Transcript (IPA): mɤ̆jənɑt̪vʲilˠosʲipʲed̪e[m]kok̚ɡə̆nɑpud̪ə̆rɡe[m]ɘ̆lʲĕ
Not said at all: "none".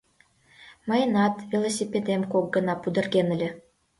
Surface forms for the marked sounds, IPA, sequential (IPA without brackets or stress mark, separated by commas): m, n